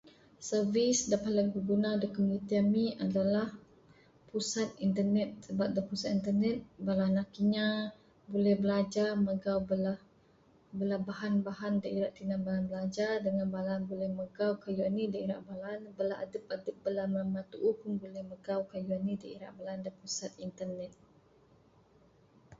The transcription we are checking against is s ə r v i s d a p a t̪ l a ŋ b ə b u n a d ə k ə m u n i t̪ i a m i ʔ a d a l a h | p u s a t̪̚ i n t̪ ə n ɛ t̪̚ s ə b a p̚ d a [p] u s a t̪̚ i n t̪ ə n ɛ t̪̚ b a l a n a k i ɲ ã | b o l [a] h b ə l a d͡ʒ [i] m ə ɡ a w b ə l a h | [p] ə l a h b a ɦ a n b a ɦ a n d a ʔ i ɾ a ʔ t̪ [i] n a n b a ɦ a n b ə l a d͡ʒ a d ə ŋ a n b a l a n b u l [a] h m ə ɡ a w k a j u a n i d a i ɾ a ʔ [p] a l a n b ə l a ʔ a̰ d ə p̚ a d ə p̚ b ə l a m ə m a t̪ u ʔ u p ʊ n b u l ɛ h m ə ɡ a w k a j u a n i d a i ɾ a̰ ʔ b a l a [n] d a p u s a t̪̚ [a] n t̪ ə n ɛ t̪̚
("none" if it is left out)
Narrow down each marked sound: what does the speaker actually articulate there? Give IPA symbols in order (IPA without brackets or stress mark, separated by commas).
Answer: p, ɛ, a, b, i, ɛ, b, n, i